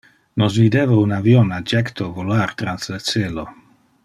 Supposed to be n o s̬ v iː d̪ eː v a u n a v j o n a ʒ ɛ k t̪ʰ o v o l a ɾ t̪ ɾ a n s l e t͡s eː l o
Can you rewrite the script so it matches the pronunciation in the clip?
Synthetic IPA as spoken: n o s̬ v i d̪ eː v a u n a v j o n a d͡ʒ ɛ k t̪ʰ o v o l a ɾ t̪ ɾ a n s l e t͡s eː l o